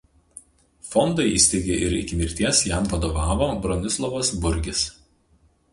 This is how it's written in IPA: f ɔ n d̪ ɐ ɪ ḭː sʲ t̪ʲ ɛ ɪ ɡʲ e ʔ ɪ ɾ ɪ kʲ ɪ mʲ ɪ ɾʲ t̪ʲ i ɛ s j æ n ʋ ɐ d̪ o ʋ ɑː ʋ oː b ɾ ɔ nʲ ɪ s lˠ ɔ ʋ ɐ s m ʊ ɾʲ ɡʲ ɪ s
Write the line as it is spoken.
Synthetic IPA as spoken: f ɔ n d̪ ɐ ɪ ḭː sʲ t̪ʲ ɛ ɪ ɡʲ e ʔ ɪ ɾ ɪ kʲ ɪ mʲ ɪ ɾʲ t̪ʲ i ɛ s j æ m ʋ ɐ d̪ o ʋ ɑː ʋ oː b ɾ ɔ nʲ ɪ s lˠ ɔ ʋ ɐ s b ʊ ɾʲ ɡʲ ɪ s

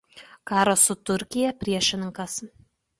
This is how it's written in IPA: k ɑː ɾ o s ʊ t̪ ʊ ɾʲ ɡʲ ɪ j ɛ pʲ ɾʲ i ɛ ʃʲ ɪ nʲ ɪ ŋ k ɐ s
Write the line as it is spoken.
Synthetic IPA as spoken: k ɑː ɾ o s ʊ t̪ ʊ ɾʲ kʲ ɪ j ɛ pʲ ɾʲ i ɛ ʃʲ ɪ nʲ ɪ ŋ k ɐ s

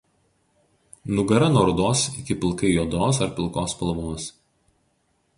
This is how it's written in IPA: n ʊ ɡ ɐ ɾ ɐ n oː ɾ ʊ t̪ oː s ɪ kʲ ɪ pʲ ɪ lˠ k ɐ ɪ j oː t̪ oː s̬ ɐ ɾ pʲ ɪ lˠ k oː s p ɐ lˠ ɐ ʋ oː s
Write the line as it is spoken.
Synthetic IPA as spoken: n ʊ ɡ ɐ ɾ ɐ n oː ɾ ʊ d̪ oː s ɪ kʲ ɪ pʲ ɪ lˠ k ɐ ɪ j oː d̪ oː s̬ ɐ ɾ pʲ ɪ lˠ k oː s p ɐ lˠ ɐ ʋ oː s

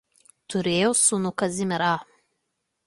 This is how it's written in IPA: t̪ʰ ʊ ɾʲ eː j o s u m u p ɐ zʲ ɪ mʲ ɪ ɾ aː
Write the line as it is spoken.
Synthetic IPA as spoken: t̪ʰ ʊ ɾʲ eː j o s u n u k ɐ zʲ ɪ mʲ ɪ ɾ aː

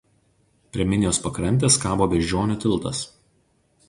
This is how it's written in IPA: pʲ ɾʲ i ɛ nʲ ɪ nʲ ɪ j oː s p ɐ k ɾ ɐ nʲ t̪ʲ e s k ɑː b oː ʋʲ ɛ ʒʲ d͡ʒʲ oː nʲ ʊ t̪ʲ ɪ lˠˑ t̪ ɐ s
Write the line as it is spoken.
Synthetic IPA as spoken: pʲ ɾʲ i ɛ mʲ ɪ nʲ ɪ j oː s p ɐ k ɾ ɐ nʲ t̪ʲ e s k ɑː b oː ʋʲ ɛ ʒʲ d͡ʒʲ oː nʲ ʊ t̪ʲ ɪ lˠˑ t̪ ɐ s

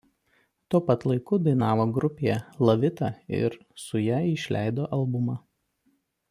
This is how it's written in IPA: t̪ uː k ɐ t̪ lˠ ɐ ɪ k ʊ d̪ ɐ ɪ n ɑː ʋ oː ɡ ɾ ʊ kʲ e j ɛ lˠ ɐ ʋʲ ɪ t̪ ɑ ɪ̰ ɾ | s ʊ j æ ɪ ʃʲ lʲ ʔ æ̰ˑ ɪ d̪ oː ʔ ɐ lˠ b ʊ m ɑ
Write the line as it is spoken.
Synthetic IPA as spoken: t̪ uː p ɐ t̪ lˠ ɐ ɪ k ʊ d̪ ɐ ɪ n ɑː ʋ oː ɡ ɾ ʊ pʲ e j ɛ lˠ ɐ ʋʲ ɪ t̪ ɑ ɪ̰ ɾ | s ʊ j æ ɪ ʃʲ lʲ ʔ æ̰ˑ ɪ d̪ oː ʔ ɐ lˠ b ʊ m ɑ

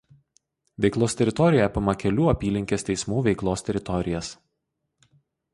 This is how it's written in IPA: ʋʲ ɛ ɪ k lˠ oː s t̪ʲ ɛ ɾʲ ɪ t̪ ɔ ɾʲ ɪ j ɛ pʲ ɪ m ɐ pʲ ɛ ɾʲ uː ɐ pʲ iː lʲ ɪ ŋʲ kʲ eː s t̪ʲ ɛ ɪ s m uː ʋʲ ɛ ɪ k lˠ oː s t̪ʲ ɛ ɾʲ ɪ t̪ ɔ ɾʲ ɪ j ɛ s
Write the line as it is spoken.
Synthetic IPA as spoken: ʋʲ ɛ ɪ k lˠ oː s t̪ʲ ɛ ɾʲ ɪ t̪ ɔ ɾʲ ɪ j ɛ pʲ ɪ m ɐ kʲ ɛ lʲ uː ɐ pʲ iː lʲ ɪ ŋʲ kʲ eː s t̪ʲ ɛ ɪ s m uː ʋʲ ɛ ɪ k lˠ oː s t̪ʲ ɛ ɾʲ ɪ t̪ ɔ ɾʲ ɪ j ɛ s

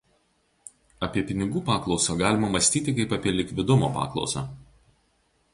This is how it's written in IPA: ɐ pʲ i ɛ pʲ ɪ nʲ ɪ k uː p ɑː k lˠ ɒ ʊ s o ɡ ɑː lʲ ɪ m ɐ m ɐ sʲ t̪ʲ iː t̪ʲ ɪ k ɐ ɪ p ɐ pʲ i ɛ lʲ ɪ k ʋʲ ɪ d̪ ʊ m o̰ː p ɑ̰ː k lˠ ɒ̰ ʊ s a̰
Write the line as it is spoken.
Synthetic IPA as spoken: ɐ pʲ i ɛ pʲ ɪ nʲ ɪ ɡ uː p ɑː k lˠ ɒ ʊ s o ɡ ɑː lʲ ɪ m ɐ m ɐ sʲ t̪ʲ iː t̪ʲ ɪ k ɐ ɪ p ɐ pʲ i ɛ lʲ ɪ k ʋʲ ɪ d̪ ʊ m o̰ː p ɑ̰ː k lˠ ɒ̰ ʊ s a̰

